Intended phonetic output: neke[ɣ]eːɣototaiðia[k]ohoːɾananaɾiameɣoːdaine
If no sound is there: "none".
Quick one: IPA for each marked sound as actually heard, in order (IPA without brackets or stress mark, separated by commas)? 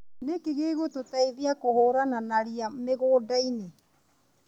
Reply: ɣ, k